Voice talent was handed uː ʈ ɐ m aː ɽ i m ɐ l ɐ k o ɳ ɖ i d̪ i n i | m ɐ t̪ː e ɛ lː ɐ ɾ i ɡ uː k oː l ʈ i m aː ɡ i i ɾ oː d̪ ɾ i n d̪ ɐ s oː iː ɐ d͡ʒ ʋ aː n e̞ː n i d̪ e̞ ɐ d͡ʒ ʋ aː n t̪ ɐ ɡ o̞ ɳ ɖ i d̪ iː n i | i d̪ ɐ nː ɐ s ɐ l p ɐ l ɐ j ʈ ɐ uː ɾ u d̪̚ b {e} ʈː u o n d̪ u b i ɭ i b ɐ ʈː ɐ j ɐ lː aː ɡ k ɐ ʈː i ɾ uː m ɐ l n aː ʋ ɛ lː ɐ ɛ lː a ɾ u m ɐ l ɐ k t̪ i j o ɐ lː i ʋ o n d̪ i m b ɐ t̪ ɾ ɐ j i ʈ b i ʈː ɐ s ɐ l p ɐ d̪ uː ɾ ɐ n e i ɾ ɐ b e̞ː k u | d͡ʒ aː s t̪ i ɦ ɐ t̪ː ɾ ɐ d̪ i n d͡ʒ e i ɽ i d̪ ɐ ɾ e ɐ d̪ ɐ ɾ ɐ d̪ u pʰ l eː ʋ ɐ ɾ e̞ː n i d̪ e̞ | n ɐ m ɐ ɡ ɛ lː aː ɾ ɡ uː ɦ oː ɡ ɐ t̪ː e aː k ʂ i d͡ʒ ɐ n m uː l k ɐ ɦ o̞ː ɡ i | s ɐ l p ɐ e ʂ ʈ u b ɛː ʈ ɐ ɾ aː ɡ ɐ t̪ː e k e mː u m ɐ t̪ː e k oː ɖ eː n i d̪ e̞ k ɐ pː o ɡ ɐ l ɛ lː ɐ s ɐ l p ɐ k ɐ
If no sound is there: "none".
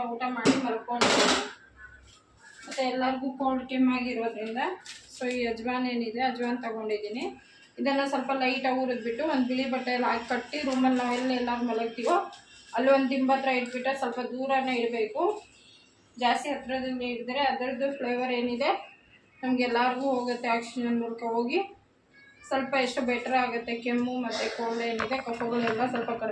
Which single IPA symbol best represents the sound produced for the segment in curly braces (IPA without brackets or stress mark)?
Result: i